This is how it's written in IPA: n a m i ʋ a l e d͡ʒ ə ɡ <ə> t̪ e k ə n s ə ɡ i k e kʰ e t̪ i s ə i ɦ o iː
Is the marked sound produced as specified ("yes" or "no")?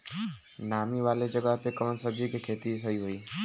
no